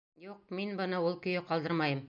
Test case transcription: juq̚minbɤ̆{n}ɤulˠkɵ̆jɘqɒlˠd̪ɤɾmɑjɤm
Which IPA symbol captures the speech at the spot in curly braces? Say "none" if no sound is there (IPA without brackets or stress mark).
n